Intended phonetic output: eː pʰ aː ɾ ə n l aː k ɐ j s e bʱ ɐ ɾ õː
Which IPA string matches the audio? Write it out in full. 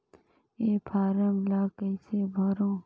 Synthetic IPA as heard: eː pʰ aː ɾ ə m l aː k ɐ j s e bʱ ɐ ɾ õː